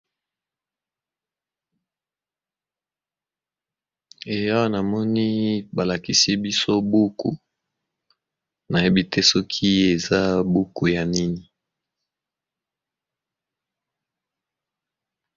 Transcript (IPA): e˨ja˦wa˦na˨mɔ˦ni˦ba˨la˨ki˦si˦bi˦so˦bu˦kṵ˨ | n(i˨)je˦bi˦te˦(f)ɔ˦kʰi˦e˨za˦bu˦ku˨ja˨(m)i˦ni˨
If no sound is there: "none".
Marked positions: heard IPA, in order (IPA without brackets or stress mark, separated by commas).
a˨, s, n